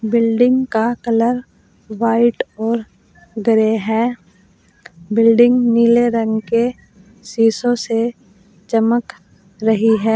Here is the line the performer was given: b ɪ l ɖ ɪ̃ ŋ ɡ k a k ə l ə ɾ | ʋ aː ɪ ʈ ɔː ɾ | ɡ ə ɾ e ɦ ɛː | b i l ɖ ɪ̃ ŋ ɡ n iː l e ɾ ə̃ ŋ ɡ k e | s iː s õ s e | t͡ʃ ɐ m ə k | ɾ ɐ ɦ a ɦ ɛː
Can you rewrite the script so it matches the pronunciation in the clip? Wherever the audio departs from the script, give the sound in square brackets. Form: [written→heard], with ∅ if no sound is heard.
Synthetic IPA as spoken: b ɪ l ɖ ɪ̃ ŋ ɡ k a k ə l ə ɾ | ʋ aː ɪ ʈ ɔː ɾ | ɡ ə ɾ e ɦ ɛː | b [i→ɪ] l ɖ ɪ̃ ŋ ɡ n iː l e ɾ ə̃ ŋ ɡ k e | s iː s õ s e | t͡ʃ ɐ m ə k | ɾ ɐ ɦ [a→i] ɦ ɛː